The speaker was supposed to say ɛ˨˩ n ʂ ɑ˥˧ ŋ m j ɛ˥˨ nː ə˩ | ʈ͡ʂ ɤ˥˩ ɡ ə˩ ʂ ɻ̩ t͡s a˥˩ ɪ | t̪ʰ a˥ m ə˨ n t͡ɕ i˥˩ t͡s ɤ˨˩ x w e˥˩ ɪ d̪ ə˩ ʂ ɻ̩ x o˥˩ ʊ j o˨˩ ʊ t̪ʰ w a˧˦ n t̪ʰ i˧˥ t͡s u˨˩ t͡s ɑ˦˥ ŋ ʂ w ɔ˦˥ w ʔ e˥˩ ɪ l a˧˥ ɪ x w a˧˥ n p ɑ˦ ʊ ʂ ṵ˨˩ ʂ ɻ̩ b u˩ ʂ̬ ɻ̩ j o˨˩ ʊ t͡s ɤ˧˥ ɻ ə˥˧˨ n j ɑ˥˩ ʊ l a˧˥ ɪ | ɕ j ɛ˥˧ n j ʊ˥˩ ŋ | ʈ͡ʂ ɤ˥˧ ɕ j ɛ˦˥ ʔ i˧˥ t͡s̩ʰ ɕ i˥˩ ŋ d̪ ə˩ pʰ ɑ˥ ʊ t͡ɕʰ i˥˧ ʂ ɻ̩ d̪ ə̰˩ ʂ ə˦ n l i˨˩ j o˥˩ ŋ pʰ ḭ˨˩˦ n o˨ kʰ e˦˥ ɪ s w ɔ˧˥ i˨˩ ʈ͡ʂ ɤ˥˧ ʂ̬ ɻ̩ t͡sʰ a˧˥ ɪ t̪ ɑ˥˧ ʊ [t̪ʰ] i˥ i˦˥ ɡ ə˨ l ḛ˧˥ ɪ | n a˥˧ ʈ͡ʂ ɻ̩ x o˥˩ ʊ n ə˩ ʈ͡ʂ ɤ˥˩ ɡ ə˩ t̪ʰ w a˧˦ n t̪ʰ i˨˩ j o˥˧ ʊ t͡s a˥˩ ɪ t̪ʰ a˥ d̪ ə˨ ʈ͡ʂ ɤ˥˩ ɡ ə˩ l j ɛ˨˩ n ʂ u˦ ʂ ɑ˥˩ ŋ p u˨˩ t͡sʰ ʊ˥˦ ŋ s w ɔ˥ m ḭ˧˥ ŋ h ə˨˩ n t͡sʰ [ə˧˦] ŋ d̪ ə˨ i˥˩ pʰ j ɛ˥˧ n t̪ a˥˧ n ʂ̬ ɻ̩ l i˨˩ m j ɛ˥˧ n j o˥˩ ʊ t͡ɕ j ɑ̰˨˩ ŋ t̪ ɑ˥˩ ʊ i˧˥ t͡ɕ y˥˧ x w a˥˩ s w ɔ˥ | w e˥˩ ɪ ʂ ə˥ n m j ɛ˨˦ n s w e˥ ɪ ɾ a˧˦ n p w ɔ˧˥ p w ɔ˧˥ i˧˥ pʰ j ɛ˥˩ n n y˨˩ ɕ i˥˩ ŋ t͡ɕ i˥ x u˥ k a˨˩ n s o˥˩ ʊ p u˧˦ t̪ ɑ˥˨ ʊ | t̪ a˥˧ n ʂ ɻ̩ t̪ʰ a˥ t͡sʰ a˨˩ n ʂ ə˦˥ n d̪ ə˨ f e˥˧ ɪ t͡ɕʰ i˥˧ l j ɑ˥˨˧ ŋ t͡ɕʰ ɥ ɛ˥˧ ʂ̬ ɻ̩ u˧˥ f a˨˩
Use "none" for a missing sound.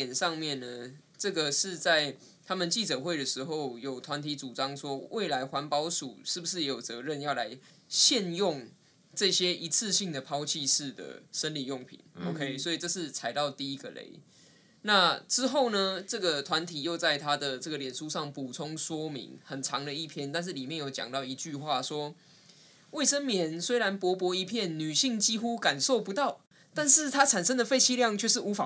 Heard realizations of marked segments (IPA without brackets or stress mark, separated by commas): t̪, ɑ˧˦